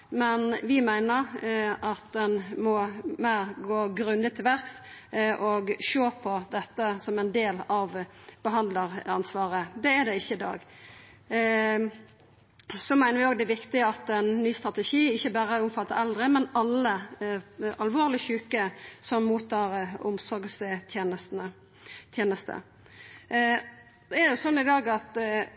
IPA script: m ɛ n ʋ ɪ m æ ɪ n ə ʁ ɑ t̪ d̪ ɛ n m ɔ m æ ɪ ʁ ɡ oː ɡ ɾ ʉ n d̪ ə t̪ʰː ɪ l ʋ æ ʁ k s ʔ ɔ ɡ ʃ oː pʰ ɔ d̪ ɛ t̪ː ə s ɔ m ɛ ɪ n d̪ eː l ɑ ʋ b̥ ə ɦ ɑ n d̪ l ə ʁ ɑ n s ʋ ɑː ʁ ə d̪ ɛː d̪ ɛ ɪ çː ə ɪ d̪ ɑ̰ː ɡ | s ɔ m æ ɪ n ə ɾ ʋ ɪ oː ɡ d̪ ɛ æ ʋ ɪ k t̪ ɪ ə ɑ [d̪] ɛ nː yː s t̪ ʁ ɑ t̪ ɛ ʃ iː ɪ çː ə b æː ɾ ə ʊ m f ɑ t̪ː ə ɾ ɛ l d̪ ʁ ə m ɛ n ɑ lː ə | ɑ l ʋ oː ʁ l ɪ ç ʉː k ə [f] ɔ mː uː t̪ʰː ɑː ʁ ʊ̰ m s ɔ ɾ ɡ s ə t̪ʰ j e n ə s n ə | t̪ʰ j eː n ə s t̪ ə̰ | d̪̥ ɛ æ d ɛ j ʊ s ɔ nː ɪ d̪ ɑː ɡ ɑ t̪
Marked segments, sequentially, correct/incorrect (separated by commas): incorrect, incorrect